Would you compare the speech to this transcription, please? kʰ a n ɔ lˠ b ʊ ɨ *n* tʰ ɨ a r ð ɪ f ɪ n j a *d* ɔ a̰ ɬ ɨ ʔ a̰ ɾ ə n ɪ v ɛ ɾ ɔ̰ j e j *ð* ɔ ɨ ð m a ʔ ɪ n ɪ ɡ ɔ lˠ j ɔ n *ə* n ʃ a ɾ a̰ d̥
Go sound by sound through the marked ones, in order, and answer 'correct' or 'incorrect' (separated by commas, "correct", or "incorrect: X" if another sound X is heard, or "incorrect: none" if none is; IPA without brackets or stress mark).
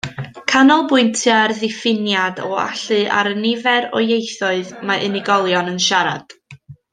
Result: correct, correct, incorrect: θ, correct